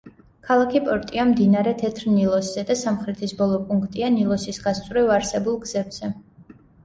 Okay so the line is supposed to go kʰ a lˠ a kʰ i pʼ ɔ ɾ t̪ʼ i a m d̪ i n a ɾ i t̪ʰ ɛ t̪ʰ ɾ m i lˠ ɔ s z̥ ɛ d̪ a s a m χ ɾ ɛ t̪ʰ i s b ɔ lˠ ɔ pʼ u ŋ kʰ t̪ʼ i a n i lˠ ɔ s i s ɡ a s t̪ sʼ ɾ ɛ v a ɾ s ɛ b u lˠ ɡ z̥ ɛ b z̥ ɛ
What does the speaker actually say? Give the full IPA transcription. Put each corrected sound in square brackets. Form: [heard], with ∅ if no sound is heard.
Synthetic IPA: kʰ a lˠ a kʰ i pʼ ɔ ɾ t̪ʼ i a m d̪ i n a ɾ [ɛ] t̪ʰ ɛ t̪ʰ ɾ [n] i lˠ ɔ s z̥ ɛ d̪ a s a m χ ɾ ɛ t̪ʰ i s b ɔ lˠ ɔ pʼ u ŋ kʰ t̪ʼ i a n i lˠ ɔ s i s ɡ a s t̪ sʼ ɾ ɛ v a ɾ s ɛ b u lˠ ɡ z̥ ɛ b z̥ ɛ